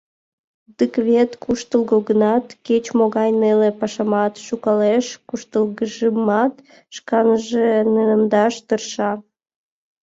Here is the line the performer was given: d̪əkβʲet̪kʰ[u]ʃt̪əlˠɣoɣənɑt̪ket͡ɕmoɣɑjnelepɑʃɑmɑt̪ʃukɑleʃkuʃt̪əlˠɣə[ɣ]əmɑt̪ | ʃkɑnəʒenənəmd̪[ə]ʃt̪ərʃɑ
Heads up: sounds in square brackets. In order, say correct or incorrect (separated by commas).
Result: correct, incorrect, incorrect